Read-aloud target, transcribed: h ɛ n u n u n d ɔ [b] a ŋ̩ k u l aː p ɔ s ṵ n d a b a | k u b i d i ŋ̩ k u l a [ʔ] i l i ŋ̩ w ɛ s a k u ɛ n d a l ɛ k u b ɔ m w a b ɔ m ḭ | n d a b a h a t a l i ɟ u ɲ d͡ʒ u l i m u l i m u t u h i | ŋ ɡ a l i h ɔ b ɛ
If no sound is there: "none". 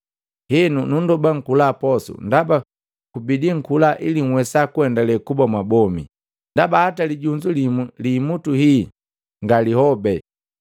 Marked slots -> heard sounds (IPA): b, ʔ

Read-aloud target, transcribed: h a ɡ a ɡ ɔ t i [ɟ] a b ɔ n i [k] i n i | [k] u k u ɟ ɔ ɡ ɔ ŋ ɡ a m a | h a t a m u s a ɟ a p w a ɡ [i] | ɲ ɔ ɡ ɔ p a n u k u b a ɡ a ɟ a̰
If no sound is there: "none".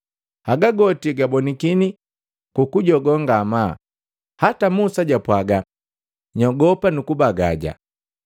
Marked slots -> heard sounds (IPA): ɡ, k, k, a

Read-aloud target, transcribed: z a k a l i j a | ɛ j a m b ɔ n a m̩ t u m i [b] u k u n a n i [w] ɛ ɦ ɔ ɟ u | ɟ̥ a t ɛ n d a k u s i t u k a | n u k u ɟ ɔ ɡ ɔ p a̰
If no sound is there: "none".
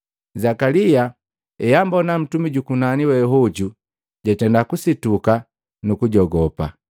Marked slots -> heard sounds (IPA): ɟ, w

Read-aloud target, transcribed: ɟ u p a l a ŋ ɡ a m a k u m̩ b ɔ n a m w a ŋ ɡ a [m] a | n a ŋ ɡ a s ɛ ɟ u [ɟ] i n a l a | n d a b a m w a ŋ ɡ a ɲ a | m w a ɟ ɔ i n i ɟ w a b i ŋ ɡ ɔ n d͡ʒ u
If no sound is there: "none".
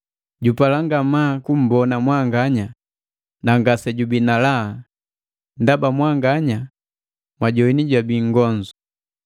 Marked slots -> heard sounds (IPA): ɲ, b

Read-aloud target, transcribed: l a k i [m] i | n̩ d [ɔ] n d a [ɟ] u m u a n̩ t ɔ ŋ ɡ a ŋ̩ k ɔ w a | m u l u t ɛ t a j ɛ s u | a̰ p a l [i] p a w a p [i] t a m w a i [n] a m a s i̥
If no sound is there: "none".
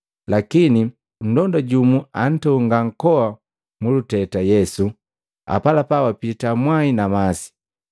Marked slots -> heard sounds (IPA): n, ɔ, ɟ, a, i, n

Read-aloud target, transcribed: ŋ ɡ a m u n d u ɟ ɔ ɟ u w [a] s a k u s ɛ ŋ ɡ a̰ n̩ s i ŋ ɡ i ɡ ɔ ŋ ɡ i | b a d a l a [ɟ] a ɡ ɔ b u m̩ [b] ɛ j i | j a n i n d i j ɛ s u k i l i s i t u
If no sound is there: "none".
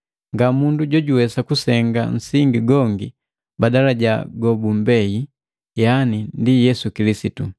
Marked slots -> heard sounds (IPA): ɛ, ɟ, b

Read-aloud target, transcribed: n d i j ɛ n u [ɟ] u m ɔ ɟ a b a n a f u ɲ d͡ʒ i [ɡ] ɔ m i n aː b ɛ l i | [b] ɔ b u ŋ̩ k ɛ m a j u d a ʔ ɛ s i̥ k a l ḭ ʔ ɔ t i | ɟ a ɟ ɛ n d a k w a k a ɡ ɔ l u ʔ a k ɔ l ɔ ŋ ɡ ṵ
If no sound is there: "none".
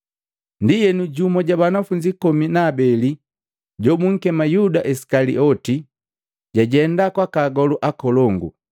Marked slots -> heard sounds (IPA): ɟ, k, ɟ

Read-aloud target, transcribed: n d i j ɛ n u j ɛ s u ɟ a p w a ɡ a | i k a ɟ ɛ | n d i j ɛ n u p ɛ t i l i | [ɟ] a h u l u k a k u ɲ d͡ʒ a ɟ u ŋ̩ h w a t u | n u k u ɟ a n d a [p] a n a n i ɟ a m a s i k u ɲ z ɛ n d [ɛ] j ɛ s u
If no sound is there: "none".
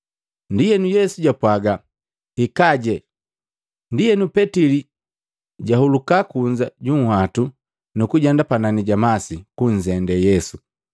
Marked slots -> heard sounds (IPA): ɟ, p, ɛ

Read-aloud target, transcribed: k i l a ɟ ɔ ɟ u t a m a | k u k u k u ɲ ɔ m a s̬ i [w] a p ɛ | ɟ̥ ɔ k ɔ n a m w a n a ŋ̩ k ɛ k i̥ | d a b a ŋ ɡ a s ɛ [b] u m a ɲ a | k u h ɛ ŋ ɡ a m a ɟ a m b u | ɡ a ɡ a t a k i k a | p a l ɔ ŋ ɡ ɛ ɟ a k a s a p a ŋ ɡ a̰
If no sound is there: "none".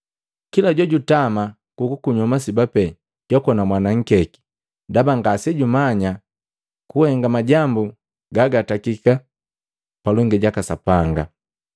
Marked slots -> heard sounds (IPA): b, ɟ

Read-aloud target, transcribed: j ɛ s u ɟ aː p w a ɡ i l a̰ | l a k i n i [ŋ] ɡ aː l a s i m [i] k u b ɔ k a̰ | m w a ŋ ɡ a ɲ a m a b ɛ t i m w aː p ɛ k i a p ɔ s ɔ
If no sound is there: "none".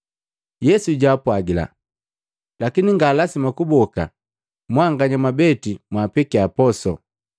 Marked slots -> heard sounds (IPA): ŋ, a

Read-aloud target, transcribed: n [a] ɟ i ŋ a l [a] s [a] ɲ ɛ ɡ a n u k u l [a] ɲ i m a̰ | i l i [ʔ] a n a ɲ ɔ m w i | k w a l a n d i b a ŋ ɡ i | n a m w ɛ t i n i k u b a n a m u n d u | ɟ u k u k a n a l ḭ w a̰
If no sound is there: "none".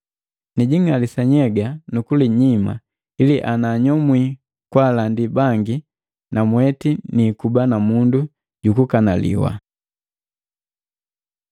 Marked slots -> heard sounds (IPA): i, i, a, i, ʔ

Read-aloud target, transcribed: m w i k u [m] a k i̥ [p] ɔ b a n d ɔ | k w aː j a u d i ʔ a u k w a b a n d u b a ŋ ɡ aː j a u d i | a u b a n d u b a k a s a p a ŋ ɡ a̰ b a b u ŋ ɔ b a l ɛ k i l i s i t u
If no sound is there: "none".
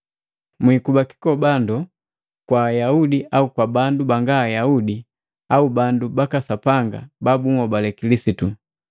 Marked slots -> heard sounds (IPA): b, k

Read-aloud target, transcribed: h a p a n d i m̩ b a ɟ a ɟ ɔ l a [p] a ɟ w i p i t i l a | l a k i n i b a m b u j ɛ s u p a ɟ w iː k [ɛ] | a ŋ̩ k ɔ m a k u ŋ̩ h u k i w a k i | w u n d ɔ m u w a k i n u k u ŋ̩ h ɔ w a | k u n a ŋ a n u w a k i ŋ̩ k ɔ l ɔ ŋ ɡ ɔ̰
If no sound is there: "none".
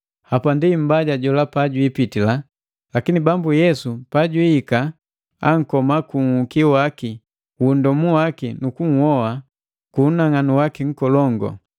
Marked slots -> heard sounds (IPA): p, a

